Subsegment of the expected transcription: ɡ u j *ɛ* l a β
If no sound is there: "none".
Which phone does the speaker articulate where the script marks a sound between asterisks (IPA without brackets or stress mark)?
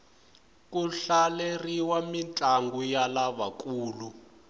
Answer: a